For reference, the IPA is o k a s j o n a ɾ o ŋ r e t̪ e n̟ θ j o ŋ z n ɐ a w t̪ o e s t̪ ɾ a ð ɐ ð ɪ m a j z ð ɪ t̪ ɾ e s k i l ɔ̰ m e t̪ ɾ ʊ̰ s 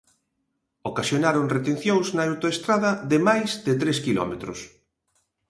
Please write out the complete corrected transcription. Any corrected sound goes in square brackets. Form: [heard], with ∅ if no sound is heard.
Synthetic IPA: o k a s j o n a ɾ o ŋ r e t̪ e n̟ θ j o ŋ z n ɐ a w t̪ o e s t̪ ɾ a ð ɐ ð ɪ m a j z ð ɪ t̪ ɾ e s k i l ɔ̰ m e t̪ ɾ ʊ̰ s